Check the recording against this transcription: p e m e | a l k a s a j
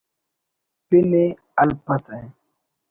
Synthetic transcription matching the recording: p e n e | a l p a s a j